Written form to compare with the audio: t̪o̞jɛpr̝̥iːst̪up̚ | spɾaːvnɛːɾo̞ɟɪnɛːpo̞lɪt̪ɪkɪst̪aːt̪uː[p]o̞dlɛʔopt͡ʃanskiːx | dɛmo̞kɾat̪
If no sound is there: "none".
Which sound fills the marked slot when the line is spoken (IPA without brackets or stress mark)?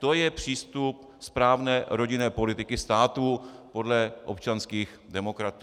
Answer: p